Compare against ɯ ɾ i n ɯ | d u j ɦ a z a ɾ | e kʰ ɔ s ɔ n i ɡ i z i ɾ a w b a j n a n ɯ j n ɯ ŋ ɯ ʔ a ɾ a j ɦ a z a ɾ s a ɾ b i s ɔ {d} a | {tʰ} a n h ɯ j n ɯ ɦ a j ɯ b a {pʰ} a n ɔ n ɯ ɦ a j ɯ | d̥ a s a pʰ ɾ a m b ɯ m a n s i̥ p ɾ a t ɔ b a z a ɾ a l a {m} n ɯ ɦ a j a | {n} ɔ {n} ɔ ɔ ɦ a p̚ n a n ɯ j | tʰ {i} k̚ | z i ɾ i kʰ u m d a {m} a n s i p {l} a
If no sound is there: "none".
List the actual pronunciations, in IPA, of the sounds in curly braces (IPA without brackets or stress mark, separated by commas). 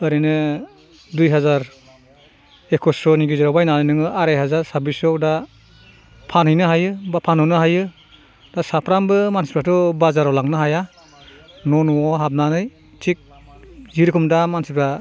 d, pʰ, pʰ, ŋ, n, n, i, m, ɾ